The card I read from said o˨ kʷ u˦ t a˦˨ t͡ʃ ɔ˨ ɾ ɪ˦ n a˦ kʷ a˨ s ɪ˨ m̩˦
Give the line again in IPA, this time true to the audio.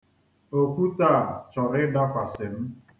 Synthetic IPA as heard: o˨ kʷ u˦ t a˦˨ t͡ʃ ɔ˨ ɾ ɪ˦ d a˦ kʷ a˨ s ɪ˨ m̩˦